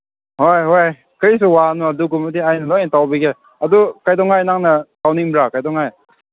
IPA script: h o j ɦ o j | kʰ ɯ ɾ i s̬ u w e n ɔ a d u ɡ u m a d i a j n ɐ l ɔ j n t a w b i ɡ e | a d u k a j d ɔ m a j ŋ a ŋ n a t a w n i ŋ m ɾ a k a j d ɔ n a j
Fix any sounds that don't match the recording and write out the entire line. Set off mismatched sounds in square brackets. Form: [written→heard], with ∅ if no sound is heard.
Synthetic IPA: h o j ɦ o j | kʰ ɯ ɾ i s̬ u w [e→a] n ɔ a d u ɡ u m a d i a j n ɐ l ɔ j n t a w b i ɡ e | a d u k a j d ɔ [m→ŋ] a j [ŋ→n] a ŋ n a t a w n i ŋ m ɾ a k a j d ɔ [n→ŋ] a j